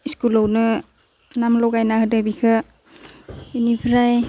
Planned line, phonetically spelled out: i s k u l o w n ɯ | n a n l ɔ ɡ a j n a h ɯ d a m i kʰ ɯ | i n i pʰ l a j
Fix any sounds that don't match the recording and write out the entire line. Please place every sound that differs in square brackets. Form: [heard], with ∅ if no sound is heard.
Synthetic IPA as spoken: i s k u l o w n ɯ | n a [m] l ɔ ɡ a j n a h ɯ d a [b] i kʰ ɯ | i n i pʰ [ɾ] a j